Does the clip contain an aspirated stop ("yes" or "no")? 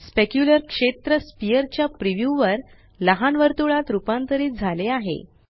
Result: no